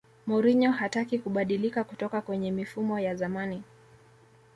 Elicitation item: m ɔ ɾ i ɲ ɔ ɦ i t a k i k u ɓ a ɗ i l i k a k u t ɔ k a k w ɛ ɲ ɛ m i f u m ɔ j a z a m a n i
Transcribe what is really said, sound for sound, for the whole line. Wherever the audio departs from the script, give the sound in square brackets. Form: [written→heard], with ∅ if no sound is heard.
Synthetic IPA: m ɔ ɾ i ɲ ɔ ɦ [i→a] t a k i k u ɓ a ɗ i l i k a k u t ɔ k a k w ɛ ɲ ɛ m i f u m ɔ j a z a m a n i

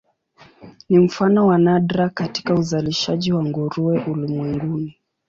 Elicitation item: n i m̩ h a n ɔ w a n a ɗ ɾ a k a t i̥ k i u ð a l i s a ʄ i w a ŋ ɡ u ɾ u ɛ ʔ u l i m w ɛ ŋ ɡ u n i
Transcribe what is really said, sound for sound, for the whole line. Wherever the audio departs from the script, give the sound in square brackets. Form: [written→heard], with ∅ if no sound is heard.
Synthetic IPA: n i m̩ [h→f] a n ɔ w a n a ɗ ɾ a k a t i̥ k [i→a] u [ð→z] a l i [s→ʃ] a ʄ i w a ŋ ɡ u ɾ u ɛ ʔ u l i m w ɛ ŋ ɡ u n i

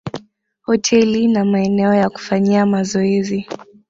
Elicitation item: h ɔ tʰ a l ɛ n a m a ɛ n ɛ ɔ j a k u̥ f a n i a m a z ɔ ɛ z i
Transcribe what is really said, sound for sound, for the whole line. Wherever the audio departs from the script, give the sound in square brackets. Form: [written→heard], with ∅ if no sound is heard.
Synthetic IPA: h ɔ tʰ [a→ɛ] l [ɛ→i] n a m a ɛ n ɛ ɔ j a k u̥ f a [n→ɲ] i a m a z ɔ ɛ z i

